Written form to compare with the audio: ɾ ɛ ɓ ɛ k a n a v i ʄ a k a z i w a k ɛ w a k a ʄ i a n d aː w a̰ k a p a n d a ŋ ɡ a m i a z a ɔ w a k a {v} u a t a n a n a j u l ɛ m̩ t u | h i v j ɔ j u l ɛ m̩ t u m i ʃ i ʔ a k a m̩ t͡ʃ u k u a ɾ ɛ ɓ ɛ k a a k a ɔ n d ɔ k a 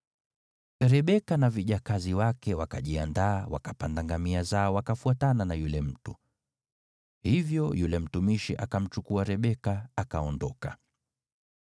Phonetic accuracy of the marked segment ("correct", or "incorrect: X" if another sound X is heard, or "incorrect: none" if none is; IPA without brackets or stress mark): incorrect: f